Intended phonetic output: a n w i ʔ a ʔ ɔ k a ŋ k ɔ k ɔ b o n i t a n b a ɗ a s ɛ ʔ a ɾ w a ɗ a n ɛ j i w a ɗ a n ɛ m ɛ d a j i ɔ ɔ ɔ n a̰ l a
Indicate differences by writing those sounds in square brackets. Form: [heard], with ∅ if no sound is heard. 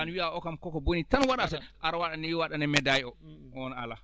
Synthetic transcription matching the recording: a n w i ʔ a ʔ ɔ k a [m] k ɔ k ɔ b o n i t a n [w] a ɗ a s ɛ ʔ a ɾ w a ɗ a n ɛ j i w a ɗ a n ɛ m ɛ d a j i ɔ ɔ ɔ n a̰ l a